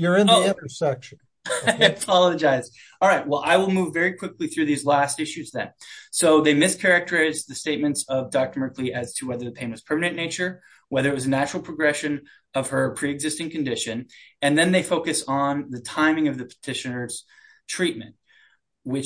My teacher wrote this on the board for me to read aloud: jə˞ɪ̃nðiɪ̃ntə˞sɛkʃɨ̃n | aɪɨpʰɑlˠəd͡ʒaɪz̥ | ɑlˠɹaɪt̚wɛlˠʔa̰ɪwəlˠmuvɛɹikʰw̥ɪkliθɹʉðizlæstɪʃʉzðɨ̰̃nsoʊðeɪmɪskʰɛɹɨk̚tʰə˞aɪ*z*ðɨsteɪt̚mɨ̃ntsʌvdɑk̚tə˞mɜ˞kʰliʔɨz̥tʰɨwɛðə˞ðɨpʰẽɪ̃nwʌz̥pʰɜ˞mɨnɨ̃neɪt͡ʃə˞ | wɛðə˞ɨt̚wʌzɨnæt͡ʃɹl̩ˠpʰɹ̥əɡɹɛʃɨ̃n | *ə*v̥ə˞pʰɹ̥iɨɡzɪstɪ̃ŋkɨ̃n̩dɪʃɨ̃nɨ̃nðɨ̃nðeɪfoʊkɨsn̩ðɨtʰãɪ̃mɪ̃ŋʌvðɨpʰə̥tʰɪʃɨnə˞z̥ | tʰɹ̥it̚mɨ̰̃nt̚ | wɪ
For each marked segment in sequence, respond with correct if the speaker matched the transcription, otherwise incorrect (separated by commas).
correct, incorrect